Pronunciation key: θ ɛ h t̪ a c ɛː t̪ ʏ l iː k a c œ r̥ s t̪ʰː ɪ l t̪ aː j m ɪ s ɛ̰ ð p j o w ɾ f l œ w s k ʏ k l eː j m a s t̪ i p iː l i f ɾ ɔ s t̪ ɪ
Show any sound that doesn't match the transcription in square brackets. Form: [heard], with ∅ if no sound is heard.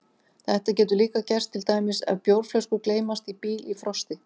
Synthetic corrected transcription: θ ɛ h t̪ a c ɛː t̪ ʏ l iː k a c [ɛ] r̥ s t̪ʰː ɪ l t̪ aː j m ɪ s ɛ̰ ð p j o w ɾ f l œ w s k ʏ k l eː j m a s t̪ i p iː l i f ɾ ɔ s t̪ ɪ